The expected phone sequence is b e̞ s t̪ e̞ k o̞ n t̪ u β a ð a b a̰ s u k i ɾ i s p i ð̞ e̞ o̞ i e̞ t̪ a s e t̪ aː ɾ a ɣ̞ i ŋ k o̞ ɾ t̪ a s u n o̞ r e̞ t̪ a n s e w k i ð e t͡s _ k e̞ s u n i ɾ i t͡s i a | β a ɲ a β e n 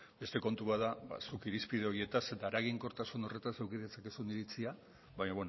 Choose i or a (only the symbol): a